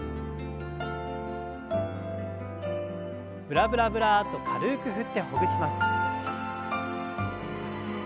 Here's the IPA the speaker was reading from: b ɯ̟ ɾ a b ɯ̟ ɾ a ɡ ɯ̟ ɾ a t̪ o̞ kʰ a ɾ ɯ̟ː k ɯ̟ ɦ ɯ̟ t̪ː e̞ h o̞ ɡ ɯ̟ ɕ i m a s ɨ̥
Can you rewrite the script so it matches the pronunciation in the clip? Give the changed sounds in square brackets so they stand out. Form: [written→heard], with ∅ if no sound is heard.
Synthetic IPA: b ɯ̟ ɾ a b ɯ̟ ɾ a [ɡ→b] ɯ̟ ɾ a t̪ o̞ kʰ a ɾ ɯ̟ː k ɯ̟ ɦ ɯ̟ t̪ː e̞ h o̞ ɡ ɯ̟ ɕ i m a s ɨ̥